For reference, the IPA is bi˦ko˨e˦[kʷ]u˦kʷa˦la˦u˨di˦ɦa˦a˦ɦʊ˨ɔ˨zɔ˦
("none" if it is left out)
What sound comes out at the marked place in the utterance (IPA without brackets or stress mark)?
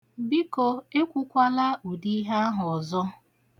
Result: kʷ